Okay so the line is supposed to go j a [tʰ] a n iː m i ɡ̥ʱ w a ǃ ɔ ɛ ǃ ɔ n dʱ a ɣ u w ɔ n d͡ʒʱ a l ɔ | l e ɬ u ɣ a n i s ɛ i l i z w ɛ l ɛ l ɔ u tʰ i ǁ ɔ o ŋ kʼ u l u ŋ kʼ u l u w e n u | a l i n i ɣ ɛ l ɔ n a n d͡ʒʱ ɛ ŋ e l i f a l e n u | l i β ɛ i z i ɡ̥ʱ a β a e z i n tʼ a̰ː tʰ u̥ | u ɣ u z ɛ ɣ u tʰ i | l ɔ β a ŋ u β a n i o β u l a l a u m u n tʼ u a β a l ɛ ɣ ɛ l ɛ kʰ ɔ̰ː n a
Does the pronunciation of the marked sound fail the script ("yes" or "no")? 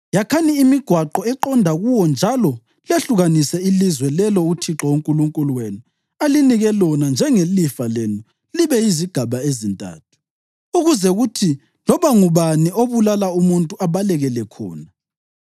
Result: yes